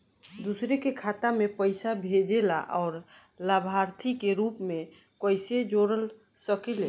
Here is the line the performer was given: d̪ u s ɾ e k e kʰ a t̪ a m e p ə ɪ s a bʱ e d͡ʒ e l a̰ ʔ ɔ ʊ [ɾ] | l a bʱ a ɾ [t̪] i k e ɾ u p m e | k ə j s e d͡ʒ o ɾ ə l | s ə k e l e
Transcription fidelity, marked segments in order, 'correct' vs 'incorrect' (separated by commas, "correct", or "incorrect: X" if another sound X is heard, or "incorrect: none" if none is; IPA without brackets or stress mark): correct, incorrect: t̪ʰ